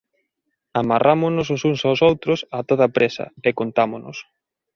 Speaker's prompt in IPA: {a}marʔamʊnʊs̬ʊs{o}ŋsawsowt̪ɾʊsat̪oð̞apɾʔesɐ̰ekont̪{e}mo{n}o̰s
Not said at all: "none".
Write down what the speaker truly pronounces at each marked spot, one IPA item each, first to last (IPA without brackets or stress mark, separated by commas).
a, u, a, n